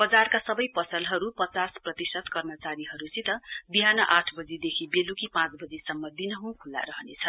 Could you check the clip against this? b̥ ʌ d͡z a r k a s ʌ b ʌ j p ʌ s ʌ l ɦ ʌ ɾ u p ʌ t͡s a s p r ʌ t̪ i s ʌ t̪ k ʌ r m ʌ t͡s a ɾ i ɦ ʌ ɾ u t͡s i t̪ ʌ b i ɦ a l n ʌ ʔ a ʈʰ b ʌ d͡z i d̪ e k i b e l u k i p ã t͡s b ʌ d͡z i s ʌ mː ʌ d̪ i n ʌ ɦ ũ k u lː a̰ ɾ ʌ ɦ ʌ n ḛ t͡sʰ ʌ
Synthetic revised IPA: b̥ ʌ d͡z a r k a s ʌ b ʌ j p ʌ s ʌ l ɦ ʌ ɾ u p ʌ t͡s a s p r ʌ t̪ i s ʌ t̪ k ʌ r m ʌ t͡s a ɾ i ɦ ʌ ɾ u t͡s i t̪ ʌ b i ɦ a n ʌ ʔ a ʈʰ b ʌ d͡z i d̪ e kʰ i b e l u k i p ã t͡s b ʌ d͡z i s ʌ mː ʌ d̪ i n ʌ ɦ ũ kʰ u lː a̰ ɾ ʌ ɦ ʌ n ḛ t͡sʰ ʌ

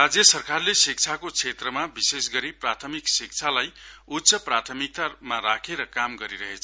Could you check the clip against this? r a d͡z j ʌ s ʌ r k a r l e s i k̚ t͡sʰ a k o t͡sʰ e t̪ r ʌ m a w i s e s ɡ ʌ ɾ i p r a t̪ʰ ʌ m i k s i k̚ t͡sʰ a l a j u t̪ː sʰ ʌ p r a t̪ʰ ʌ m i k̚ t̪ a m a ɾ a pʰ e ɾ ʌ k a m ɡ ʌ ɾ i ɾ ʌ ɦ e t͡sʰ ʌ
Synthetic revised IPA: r a d͡z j ʌ s ʌ r k a r l e s i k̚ t͡sʰ a k o t͡sʰ e t̪ r ʌ m a b i s e s ɡ ʌ ɾ i p r a t̪ʰ ʌ m i k s i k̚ t͡sʰ a l a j u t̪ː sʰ ʌ p r a t̪ʰ ʌ m i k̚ t̪ a m a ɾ a kʰ e ɾ ʌ k a m ɡ ʌ ɾ i ɾ ʌ ɦ e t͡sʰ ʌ

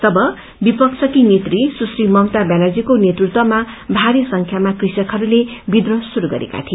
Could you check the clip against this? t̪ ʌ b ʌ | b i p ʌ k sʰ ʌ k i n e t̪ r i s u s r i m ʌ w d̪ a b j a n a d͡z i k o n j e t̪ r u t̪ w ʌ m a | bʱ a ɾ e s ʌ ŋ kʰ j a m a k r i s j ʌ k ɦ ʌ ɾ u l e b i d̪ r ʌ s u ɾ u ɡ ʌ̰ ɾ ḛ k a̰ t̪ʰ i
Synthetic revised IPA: t̪ ʌ b ʌ | b i p ʌ k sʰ ʌ k i n e t̪ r i s u s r i m ʌ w t̪ a b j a n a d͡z i k o n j e t̪ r u t̪ w ʌ m a | bʱ a ɾ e s ʌ ŋ kʰ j a m a k r i s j ʌ k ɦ ʌ ɾ u l e b i d̪ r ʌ s u ɾ u ɡ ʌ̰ ɾ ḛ k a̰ t̪ʰ i

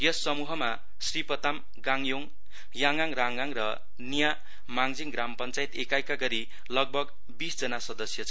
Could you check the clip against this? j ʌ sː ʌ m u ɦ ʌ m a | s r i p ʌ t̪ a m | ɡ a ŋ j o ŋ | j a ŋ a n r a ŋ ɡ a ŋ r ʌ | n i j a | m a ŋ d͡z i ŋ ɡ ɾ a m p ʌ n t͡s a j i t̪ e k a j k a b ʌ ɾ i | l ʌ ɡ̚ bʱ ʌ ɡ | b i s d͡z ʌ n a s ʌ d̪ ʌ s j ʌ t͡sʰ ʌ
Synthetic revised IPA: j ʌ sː ʌ m u ɦ ʌ m a | s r i p ʌ t̪ a m | ɡ a ŋ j o ŋ | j a ŋ a ŋ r a ŋ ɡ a ŋ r ʌ | n i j a | m a ŋ d͡z i ŋ ɡ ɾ a m p ʌ n t͡s a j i t̪ e k a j k a ɡ ʌ ɾ i | l ʌ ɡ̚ bʱ ʌ ɡ | b i s d͡z ʌ n a s ʌ d̪ ʌ s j ʌ t͡sʰ ʌ

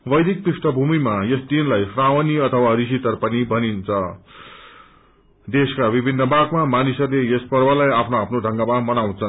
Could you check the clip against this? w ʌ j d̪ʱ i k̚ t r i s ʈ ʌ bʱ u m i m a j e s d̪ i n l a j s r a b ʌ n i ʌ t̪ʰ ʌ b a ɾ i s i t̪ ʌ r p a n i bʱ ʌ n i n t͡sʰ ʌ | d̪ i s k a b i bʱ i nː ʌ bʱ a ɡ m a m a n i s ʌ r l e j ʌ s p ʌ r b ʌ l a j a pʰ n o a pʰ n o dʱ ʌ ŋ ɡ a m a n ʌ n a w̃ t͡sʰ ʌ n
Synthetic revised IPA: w ʌ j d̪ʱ i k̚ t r i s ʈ ʌ bʱ u m i m a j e s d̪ i n l a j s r a w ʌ n i ʌ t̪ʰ ʌ w a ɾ i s i t̪ ʌ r p ʌ n i bʱ ʌ n i n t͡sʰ ʌ | d̪ e s k a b i bʱ i nː ʌ bʱ a ɡ m a m a n i s ʌ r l e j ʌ s p ʌ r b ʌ l a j a pʰ n o a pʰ n o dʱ ʌ ŋ ɡ a m a m ʌ n a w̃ t͡sʰ ʌ n

